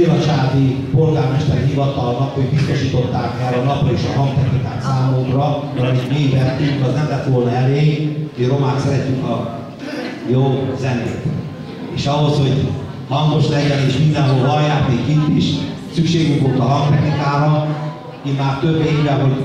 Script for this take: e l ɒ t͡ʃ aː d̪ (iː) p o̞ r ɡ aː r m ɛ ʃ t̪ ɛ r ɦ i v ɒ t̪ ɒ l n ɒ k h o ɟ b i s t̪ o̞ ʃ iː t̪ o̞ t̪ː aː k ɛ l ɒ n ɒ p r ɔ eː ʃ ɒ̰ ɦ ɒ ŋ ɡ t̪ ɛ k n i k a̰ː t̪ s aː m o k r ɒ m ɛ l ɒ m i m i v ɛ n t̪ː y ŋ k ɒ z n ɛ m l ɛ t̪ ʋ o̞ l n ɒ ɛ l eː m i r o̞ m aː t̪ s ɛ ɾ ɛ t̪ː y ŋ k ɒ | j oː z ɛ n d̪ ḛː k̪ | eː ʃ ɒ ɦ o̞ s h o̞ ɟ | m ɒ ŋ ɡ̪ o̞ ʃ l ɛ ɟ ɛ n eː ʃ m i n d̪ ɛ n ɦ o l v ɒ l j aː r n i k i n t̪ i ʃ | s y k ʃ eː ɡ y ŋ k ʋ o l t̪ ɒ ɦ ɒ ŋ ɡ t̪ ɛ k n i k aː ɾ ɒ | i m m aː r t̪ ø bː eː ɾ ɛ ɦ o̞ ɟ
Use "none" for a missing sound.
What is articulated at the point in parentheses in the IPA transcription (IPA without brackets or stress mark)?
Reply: i